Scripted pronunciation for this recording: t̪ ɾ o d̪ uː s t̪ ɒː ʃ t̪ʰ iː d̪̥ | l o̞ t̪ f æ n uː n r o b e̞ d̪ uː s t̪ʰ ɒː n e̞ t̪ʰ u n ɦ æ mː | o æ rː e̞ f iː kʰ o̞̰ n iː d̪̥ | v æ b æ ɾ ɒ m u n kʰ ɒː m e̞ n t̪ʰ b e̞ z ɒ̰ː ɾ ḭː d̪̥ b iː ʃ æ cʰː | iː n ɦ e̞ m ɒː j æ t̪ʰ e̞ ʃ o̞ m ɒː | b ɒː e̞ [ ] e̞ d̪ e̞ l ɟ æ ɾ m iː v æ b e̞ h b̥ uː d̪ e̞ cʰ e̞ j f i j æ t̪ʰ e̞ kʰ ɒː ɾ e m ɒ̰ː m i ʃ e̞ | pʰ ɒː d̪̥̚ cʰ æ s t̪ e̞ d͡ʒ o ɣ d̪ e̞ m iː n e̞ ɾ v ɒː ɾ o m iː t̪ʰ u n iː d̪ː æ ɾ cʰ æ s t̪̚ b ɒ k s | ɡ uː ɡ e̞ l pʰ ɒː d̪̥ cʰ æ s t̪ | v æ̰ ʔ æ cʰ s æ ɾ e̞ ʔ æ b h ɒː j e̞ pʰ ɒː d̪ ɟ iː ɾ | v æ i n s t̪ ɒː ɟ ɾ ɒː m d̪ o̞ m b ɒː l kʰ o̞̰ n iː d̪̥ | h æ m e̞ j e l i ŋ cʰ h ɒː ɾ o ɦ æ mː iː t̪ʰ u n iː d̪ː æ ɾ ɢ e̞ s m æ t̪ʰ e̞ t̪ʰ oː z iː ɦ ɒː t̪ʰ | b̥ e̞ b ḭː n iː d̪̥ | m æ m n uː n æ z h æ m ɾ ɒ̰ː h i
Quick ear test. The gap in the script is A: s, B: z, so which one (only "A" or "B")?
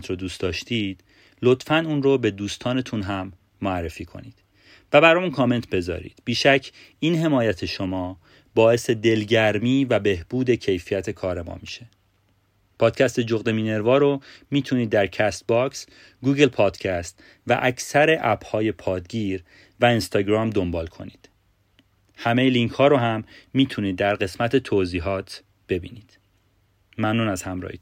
A